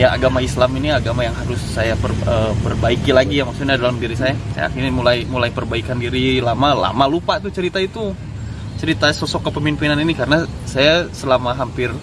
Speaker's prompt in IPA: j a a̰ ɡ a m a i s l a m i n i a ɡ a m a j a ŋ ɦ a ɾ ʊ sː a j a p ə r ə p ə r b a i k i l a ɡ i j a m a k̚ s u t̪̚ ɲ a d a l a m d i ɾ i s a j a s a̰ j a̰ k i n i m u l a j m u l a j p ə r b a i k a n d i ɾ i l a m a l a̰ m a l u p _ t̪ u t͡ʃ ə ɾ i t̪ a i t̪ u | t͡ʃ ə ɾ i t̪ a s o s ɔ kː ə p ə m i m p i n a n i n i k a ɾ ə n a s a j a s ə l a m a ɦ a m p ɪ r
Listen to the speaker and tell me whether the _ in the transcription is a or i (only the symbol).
a